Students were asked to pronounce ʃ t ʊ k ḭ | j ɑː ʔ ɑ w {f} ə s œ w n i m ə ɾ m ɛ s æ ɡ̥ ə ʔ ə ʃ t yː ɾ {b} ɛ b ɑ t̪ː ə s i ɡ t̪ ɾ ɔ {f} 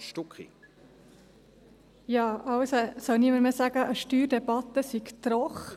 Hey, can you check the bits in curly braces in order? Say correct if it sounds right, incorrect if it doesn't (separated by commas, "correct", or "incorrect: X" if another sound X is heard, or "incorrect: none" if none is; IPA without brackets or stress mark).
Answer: incorrect: s, incorrect: d, incorrect: χ